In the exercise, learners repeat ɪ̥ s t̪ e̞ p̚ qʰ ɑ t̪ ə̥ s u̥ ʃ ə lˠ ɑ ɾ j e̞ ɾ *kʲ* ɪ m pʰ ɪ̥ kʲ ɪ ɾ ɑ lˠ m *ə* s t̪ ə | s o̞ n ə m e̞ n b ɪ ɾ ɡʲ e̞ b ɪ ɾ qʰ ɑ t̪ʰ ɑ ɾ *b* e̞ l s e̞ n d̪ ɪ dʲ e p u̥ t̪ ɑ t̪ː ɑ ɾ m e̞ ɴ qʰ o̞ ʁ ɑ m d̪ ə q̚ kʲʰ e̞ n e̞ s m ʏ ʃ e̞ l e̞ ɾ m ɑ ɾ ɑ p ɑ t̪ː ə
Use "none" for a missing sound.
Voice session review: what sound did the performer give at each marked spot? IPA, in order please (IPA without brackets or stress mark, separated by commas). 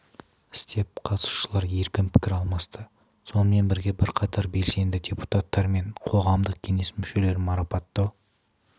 kʲ, ɑ, b